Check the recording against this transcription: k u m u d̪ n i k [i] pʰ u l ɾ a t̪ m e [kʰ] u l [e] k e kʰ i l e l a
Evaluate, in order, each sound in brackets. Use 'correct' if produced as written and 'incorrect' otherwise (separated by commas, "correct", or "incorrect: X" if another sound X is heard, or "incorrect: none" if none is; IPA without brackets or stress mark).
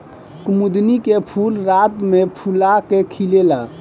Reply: incorrect: e, incorrect: pʰ, incorrect: a